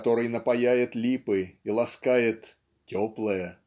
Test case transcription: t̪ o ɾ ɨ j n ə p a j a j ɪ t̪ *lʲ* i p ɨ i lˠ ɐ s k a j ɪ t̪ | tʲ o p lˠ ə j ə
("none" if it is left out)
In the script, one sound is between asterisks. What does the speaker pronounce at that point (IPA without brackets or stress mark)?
lʲ